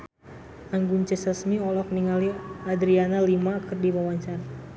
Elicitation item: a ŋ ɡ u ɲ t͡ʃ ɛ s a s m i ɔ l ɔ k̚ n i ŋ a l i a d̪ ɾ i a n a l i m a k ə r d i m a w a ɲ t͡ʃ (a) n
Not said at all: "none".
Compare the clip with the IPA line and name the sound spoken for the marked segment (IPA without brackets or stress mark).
a